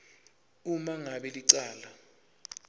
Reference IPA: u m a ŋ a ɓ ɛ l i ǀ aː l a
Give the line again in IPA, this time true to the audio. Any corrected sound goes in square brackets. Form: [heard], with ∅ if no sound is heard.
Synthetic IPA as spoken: u m a ŋ a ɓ ɛ l i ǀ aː l a